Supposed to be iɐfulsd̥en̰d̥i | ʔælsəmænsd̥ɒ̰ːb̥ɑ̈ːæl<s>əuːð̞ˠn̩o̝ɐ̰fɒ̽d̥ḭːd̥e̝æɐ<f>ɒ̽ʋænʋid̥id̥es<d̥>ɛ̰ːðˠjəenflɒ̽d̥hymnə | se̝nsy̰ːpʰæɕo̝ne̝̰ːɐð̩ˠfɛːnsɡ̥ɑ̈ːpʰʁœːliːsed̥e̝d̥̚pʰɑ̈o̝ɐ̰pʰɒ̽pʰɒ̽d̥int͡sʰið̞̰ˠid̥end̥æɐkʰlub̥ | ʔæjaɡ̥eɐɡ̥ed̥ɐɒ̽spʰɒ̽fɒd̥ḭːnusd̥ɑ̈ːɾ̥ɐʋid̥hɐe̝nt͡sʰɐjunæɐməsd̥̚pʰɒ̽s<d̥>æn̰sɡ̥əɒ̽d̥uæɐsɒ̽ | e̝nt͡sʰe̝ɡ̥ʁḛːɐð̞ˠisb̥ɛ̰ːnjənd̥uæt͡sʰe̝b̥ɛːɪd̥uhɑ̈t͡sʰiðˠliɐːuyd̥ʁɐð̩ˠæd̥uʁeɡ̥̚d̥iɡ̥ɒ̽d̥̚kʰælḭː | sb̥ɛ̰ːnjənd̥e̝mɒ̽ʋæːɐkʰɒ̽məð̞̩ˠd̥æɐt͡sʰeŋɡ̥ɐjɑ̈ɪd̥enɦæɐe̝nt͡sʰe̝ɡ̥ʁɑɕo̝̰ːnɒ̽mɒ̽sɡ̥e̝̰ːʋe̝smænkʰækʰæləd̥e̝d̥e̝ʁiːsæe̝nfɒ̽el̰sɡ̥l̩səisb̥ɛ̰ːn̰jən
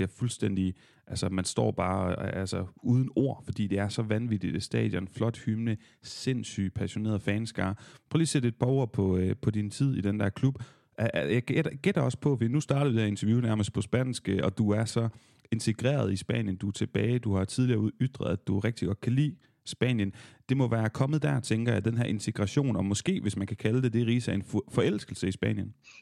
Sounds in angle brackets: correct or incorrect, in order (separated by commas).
correct, incorrect, correct, incorrect